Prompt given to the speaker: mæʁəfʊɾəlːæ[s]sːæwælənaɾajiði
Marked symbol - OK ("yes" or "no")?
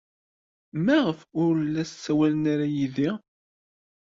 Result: yes